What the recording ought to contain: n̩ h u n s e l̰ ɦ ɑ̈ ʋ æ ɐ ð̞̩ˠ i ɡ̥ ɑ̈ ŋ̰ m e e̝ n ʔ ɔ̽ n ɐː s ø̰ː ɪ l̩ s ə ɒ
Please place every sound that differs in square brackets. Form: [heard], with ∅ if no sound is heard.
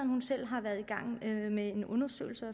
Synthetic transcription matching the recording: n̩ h u n s e l̰ ɦ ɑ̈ ʋ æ ɐ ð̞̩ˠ i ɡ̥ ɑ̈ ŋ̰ m e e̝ n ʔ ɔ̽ n [ɐ] s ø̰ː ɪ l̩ s ə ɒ